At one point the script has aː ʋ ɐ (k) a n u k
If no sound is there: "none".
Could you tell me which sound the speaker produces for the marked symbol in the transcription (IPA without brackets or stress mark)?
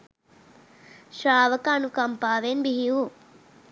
k